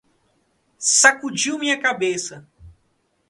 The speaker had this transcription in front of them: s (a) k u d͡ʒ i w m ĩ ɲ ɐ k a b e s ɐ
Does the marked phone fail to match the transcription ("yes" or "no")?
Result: no